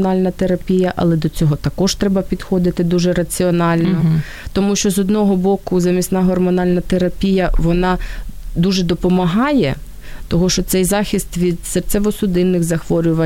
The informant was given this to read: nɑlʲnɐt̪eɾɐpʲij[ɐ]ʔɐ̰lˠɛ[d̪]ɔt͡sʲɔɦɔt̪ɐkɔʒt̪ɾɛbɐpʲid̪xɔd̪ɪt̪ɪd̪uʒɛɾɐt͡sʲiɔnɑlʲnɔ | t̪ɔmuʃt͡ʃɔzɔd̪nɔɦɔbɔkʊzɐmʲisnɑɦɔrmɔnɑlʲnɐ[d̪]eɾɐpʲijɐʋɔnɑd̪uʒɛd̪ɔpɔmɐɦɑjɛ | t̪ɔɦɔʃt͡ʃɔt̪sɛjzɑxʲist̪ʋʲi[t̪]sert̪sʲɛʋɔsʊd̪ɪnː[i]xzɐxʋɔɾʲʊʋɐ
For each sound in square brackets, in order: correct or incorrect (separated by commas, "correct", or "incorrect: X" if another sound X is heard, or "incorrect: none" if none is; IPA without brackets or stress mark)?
correct, correct, incorrect: t̪, incorrect: d̪, incorrect: ɪ